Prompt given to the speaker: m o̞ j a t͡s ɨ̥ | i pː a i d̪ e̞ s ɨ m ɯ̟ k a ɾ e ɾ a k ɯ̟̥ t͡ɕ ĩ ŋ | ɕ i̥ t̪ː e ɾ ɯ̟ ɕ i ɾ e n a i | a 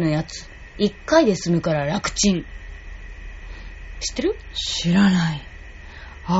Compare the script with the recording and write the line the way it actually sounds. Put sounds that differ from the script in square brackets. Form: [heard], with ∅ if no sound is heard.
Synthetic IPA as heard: [n] o̞ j a t͡s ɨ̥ | i [kː] a i d̪ e̞ s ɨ m ɯ̟ k a ɾ [a] ɾ a k ɯ̟̥ t͡ɕ ĩ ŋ | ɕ i̥ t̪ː e ɾ ɯ̟ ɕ i ɾ [a] n a i | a